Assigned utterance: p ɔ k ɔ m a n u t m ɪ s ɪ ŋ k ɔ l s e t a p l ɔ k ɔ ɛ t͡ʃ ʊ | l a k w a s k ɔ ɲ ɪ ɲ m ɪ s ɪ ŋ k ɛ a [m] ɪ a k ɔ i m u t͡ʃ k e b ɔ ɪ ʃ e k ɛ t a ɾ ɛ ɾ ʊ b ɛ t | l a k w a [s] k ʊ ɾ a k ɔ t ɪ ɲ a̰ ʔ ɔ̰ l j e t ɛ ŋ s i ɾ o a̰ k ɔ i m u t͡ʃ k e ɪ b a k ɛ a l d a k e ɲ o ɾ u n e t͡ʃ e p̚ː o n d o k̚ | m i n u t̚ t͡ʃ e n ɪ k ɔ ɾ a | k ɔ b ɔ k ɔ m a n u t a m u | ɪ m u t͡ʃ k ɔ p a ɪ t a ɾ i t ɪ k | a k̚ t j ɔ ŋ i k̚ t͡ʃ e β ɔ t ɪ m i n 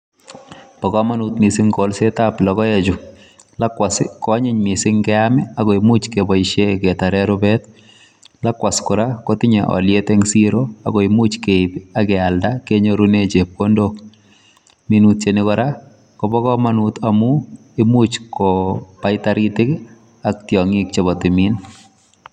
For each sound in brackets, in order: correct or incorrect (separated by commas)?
correct, correct